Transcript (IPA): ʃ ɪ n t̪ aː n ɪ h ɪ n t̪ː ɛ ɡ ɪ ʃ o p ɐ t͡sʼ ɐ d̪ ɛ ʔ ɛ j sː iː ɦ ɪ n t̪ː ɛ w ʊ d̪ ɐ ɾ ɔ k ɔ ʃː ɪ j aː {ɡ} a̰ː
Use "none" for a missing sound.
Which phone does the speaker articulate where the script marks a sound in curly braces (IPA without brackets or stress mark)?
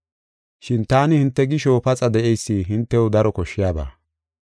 b